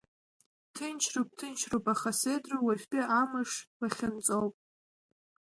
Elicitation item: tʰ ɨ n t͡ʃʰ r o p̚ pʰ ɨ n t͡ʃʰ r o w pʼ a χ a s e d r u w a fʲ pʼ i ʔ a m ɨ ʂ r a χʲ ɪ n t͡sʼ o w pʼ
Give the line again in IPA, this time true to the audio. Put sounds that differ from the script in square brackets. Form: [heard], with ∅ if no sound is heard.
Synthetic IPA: tʰ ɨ n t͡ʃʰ r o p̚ [tʰ] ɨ n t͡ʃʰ r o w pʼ a χ a s e d r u w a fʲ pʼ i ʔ a m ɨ ʂ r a χʲ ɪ n t͡sʼ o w pʼ

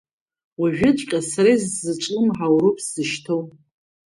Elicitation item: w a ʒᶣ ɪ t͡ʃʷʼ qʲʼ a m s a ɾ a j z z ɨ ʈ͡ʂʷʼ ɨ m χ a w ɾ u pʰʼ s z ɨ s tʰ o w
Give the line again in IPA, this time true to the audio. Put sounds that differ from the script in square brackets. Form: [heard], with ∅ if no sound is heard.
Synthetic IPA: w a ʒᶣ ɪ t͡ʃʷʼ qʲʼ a [∅] s a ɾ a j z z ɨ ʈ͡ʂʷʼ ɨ m [ħ] a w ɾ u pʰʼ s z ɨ [ʃ] tʰ o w

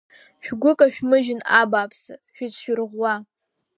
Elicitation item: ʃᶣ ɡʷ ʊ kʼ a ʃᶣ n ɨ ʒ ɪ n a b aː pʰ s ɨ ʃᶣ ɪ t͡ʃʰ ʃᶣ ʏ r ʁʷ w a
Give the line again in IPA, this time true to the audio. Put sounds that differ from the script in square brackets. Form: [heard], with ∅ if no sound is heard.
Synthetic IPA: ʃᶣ ɡʷ ʊ kʼ a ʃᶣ [m] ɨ ʒ ɪ n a b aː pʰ s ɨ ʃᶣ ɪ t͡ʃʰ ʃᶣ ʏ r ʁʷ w a

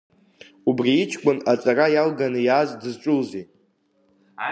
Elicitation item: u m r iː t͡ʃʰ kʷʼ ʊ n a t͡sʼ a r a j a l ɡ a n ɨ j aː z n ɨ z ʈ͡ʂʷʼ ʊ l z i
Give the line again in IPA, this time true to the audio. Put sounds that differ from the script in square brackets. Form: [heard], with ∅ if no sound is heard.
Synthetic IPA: u [b] r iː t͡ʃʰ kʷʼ ʊ n a t͡sʼ a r a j a l ɡ a n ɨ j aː z [d] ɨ z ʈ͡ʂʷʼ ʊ l z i

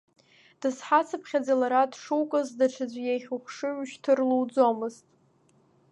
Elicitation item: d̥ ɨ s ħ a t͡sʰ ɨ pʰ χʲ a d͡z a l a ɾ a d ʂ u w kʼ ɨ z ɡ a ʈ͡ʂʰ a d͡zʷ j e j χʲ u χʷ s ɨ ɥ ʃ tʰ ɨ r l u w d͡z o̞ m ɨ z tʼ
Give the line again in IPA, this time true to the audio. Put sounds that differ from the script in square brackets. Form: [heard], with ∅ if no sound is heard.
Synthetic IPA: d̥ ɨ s ħ a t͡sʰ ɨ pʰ χʲ a d͡z a l a ɾ a d ʂ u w kʼ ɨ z [d] a ʈ͡ʂʰ a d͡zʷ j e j χʲ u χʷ [ʂ] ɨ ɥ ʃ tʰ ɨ r l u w d͡z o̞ m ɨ z tʼ

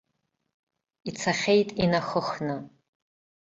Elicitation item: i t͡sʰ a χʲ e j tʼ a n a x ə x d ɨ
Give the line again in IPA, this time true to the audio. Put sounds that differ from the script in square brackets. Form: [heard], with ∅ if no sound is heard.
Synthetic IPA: i t͡sʰ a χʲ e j tʼ [i] n a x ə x [n] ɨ

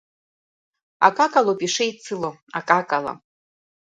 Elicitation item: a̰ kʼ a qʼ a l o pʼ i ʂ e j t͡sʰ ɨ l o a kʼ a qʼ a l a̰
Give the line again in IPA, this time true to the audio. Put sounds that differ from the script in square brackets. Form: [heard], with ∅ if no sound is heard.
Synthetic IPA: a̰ kʼ a [kʼ] a l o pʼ i ʂ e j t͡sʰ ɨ l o a kʼ a [kʼ] a l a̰

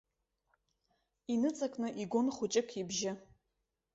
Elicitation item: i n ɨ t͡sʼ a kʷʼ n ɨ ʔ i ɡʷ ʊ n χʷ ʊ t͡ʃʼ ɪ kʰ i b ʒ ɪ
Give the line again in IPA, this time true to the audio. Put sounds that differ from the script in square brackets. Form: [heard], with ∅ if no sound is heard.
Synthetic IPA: i n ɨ t͡sʼ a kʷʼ n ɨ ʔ i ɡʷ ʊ n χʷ ʊ t͡ʃʼ ɪ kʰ i b ʒ ɪ

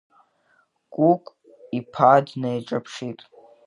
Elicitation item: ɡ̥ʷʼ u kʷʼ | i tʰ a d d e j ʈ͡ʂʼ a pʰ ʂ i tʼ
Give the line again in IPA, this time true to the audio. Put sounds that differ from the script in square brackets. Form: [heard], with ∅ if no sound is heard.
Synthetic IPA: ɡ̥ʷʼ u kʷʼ | i [pʰ] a d [n] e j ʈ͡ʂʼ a pʰ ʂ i tʼ

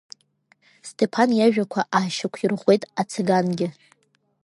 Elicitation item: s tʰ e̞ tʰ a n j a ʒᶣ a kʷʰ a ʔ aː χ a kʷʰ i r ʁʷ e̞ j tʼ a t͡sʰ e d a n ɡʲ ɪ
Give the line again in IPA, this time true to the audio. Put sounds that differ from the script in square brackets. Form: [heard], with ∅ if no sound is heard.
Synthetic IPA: s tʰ e̞ [pʰ] a n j a ʒᶣ a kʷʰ a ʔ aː [ʃ] a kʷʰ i r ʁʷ e̞ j tʼ a t͡sʰ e [ɡ] a n ɡʲ ɪ

